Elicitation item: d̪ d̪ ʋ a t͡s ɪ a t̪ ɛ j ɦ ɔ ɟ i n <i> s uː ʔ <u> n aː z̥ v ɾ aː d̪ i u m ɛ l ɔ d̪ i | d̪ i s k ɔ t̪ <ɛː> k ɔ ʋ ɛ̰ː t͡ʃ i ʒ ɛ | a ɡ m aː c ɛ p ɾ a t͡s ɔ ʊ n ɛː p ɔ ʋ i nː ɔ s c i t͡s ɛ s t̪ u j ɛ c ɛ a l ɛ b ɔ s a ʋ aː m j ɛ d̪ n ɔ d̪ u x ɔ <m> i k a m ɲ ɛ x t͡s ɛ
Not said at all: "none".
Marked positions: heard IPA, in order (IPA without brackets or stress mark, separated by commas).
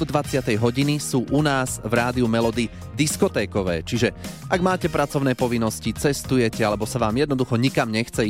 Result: i, u, ɛː, ɲ